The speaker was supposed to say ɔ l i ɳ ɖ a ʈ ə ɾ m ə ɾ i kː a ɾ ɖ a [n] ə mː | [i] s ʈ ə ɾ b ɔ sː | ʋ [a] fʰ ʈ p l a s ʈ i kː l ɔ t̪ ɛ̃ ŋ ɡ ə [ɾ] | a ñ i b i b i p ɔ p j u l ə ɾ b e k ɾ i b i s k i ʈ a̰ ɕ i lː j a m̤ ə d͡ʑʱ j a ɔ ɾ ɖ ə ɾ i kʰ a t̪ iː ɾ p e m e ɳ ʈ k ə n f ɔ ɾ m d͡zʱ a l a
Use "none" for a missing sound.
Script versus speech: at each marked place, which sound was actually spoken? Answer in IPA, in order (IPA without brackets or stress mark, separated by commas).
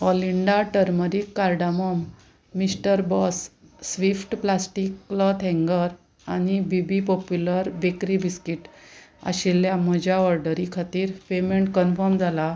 m, i, i, ɾ